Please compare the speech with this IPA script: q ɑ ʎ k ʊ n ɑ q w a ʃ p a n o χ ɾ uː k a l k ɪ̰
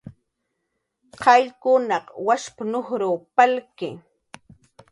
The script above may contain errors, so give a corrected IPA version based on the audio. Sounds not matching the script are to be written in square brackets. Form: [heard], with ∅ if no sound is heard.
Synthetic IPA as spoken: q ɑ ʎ k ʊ n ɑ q w a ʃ p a n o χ ɾ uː [p] a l k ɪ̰